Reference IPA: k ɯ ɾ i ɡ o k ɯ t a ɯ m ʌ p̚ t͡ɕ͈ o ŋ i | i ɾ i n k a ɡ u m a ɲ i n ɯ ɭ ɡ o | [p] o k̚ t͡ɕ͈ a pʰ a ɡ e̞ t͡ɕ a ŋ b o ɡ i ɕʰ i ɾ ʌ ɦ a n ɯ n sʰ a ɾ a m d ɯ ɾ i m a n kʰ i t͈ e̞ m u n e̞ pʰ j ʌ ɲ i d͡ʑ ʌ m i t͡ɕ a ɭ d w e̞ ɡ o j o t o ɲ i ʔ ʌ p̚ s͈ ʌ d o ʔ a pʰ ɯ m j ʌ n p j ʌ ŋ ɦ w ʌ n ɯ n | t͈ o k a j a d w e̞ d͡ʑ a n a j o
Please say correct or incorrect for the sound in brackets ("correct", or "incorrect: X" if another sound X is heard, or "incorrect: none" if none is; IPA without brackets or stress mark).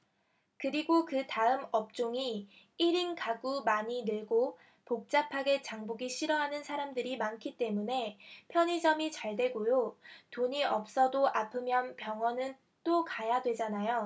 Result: correct